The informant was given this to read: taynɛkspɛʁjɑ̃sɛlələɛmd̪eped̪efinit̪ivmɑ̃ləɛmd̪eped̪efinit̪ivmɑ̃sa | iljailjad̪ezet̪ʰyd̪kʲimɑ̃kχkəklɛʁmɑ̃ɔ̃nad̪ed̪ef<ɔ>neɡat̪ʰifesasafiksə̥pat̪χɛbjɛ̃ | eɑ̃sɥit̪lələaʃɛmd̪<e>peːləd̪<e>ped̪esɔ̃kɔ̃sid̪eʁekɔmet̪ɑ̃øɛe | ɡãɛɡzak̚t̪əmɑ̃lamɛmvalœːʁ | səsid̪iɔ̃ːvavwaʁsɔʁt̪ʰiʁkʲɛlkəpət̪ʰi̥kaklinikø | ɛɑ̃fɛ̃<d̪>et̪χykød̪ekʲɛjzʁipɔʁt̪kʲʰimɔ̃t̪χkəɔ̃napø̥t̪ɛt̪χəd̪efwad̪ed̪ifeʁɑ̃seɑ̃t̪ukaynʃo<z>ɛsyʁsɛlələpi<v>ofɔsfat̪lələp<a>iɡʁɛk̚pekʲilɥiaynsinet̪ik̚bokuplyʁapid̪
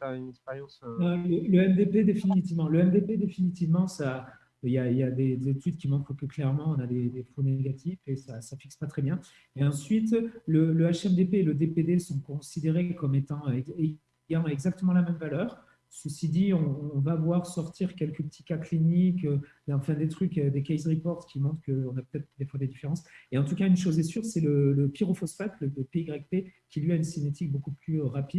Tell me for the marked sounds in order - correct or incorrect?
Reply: incorrect, correct, correct, correct, correct, incorrect, incorrect

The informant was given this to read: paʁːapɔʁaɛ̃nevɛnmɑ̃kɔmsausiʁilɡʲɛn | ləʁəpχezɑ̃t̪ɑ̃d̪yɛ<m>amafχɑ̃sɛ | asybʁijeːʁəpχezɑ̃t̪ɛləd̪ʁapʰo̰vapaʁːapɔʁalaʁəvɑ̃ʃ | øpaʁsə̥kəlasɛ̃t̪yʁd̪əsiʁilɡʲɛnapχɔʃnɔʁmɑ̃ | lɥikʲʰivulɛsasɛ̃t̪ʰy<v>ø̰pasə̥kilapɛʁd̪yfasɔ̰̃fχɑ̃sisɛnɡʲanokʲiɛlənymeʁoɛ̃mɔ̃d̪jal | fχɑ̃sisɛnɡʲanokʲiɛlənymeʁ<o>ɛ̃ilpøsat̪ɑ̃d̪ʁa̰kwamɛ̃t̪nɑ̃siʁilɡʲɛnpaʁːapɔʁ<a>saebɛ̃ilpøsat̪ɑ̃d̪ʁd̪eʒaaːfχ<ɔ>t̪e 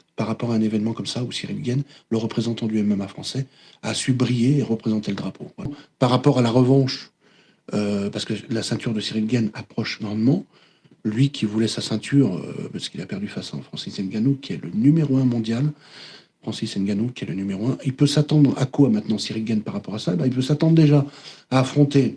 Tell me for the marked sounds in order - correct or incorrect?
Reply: correct, incorrect, correct, correct, incorrect

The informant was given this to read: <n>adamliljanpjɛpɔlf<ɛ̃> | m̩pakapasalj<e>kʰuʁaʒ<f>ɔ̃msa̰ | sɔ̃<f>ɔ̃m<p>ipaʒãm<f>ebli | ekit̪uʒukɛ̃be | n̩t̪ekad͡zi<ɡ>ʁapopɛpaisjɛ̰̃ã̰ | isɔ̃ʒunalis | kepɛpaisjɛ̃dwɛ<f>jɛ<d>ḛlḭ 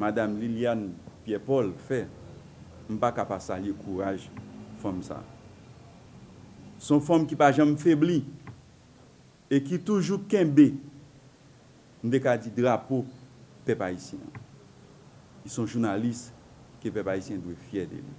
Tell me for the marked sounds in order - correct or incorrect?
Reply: incorrect, incorrect, correct, correct, correct, incorrect, correct, incorrect, correct, correct

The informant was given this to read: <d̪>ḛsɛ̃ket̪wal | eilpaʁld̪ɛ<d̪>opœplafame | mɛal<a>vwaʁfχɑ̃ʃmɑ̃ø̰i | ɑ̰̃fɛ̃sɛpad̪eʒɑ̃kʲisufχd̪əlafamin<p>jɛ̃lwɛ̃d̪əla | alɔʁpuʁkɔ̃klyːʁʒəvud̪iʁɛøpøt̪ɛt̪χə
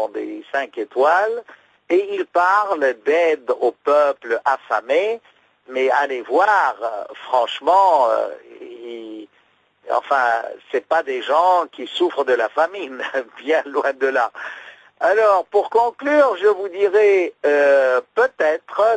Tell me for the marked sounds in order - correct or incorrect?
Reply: correct, correct, incorrect, incorrect

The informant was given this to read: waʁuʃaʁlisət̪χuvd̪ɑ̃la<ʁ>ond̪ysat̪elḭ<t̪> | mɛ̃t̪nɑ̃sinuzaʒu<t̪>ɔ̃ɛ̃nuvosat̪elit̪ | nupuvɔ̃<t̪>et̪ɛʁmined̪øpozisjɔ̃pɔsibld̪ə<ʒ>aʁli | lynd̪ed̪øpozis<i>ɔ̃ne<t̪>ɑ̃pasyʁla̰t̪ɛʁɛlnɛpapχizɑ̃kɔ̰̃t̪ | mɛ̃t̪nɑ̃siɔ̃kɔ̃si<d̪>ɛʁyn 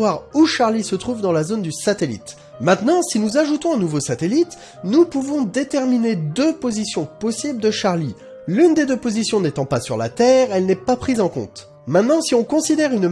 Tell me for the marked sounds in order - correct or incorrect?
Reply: incorrect, correct, correct, incorrect, incorrect, incorrect, correct, correct

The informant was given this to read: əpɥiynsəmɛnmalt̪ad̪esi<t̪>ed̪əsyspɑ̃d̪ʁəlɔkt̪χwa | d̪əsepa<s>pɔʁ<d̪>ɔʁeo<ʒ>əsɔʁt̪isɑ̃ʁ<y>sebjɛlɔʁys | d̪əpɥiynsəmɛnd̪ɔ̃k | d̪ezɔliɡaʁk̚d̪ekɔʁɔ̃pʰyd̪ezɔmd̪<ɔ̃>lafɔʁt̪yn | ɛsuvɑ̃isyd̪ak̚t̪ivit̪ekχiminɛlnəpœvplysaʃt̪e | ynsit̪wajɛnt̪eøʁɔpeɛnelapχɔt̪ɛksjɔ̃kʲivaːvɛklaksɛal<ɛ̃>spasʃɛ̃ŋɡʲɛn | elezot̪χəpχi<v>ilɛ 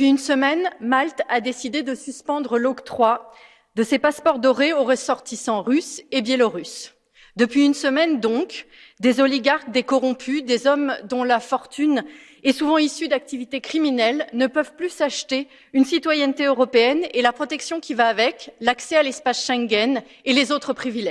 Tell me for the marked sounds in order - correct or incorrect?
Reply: incorrect, correct, correct, incorrect, correct, correct, incorrect, correct

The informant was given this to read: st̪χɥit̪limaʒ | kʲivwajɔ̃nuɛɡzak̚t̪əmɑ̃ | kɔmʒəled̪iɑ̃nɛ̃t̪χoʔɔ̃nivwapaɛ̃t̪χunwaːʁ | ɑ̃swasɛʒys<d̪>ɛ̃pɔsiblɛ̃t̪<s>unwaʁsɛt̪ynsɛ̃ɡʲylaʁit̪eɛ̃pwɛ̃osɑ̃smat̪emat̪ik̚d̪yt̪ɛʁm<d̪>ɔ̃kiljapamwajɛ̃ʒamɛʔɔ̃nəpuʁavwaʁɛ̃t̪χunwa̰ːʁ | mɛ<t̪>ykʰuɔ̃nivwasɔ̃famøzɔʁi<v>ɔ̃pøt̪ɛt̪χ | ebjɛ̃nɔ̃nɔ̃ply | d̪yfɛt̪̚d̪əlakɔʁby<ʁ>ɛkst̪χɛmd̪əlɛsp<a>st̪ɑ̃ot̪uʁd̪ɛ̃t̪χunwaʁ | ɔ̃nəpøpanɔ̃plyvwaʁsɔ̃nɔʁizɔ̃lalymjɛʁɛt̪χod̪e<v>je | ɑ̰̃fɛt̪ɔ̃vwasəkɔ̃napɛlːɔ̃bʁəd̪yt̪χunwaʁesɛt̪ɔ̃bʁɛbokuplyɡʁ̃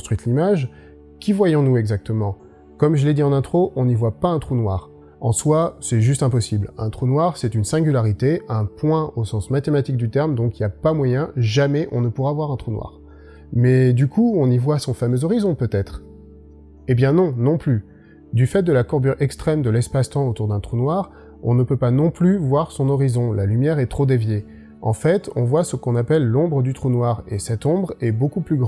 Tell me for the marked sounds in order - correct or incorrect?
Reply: incorrect, incorrect, correct, incorrect, incorrect, correct, correct, correct

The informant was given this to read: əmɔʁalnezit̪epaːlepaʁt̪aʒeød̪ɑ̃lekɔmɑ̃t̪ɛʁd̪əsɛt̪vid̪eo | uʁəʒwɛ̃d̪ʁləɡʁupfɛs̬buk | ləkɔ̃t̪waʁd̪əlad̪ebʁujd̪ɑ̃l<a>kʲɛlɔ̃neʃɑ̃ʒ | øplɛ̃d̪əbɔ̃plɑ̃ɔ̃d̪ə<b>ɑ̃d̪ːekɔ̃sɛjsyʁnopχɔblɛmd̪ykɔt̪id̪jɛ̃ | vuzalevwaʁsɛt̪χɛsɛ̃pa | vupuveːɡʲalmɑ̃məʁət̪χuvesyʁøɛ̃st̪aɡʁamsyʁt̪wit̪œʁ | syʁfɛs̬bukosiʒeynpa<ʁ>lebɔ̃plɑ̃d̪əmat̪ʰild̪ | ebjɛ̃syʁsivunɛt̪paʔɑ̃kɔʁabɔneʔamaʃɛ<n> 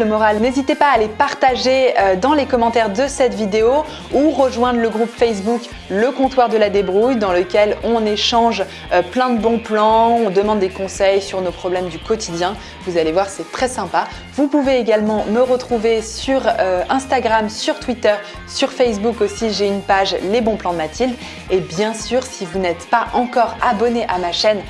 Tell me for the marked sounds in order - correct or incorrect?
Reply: incorrect, incorrect, incorrect, correct

